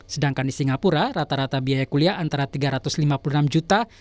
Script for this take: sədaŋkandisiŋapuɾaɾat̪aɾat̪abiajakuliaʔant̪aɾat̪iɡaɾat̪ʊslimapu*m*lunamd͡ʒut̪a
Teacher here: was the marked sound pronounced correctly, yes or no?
no